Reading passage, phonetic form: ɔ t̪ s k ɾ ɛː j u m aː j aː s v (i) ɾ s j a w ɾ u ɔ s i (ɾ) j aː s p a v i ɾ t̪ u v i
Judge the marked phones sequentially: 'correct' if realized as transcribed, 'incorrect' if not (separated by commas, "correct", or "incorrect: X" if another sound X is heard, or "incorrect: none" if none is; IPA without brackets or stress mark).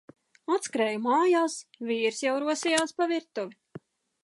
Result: incorrect: iː, incorrect: none